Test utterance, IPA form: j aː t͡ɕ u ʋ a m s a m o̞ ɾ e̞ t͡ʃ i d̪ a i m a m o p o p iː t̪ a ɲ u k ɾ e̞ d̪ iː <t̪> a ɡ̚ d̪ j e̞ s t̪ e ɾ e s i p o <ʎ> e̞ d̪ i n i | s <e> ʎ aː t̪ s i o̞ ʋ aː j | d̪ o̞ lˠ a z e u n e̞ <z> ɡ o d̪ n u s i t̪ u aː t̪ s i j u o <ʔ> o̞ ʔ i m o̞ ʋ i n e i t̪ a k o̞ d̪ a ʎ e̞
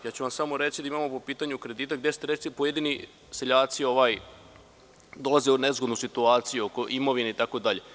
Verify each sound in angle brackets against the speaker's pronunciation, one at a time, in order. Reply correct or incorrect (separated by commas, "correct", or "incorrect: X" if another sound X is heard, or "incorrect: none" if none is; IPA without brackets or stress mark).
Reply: correct, incorrect: j, correct, correct, incorrect: k